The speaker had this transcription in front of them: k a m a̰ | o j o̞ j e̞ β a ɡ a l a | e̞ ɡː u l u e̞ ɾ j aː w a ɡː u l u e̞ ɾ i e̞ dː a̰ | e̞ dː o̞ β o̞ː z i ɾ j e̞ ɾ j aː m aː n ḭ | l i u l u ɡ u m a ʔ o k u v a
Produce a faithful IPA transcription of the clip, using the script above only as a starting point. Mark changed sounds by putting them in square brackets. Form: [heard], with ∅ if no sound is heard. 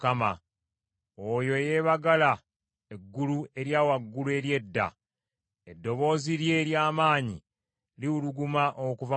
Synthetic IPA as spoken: k a m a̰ | o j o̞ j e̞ β a ɡ a l a | e̞ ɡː u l u e̞ ɾ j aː w a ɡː u l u e̞ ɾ [j] e̞ dː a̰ | e̞ dː o̞ β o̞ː z i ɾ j e̞ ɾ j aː m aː [ɲ] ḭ | l i u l u ɡ u m a ʔ o k u v a